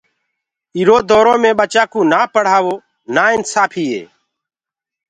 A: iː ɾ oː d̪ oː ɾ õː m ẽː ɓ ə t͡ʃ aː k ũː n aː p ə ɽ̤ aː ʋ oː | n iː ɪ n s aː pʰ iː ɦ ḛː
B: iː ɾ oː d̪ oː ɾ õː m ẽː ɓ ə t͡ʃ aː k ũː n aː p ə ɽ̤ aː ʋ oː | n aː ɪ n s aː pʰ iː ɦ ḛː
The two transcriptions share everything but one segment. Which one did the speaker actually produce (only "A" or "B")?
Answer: B